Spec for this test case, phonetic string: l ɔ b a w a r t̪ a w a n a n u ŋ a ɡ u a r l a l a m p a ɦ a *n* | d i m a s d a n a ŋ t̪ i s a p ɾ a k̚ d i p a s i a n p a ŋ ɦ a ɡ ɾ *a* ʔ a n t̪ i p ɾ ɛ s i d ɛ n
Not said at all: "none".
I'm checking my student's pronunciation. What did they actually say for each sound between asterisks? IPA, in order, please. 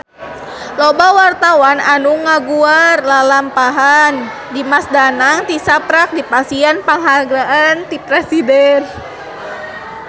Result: n, a

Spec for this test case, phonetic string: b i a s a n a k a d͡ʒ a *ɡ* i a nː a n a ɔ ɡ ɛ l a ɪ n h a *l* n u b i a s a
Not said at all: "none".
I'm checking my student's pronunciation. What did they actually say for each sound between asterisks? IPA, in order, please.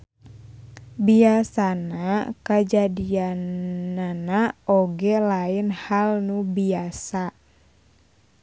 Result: d, l

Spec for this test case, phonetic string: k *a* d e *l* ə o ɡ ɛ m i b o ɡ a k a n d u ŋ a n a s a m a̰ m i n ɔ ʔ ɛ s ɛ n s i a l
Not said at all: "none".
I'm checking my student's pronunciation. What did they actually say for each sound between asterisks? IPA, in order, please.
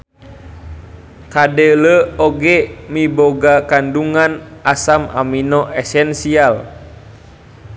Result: a, l

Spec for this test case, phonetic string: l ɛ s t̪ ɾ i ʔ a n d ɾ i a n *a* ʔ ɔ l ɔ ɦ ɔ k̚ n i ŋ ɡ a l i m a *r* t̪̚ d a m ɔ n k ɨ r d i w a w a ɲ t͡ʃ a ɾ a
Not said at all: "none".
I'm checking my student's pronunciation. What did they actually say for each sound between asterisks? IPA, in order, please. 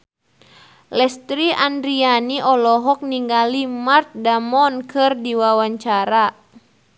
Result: i, r

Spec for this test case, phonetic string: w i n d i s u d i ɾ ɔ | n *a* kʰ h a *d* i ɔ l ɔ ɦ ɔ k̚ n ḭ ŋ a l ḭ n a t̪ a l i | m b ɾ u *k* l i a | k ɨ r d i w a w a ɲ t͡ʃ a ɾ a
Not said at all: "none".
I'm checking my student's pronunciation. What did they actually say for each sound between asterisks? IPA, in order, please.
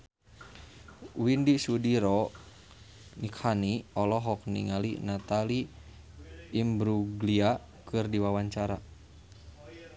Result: i, n, ɡ

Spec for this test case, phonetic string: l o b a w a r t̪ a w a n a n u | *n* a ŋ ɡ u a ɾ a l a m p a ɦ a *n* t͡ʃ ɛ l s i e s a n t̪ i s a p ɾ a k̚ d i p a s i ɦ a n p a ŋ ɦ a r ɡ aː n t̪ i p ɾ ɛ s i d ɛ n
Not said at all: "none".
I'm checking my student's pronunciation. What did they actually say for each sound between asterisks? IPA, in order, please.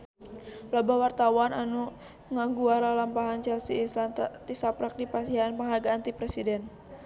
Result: ŋ, n

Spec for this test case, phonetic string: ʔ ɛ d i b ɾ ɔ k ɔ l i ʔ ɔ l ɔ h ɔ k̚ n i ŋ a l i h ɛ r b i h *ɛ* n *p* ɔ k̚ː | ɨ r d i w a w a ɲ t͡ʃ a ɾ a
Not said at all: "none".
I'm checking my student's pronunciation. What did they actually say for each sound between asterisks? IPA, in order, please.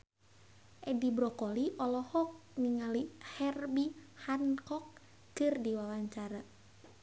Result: a, k

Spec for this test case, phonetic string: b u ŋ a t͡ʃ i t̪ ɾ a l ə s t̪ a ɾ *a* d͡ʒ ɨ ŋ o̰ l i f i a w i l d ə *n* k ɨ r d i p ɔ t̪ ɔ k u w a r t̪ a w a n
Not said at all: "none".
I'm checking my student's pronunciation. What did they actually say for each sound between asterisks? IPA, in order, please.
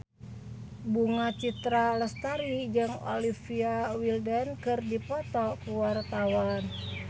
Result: i, n

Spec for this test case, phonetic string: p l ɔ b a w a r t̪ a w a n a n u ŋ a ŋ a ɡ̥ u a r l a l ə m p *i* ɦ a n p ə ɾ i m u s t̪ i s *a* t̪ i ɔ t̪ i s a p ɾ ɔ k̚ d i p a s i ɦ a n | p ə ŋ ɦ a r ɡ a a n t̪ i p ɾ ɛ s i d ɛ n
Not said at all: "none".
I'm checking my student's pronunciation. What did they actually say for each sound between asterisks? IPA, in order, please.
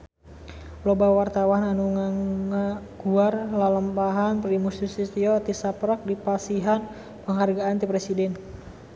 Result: a, i

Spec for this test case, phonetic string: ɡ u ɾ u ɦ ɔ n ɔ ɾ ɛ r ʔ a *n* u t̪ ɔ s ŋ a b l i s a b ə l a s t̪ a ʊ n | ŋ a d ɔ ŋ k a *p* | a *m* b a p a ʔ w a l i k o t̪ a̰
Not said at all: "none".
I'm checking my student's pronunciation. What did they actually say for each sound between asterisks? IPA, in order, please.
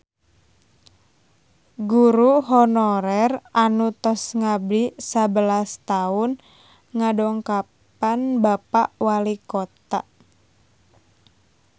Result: n, p, n

